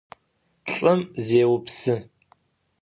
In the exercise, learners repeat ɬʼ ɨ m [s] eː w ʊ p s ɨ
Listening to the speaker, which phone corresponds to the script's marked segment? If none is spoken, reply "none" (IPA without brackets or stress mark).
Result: z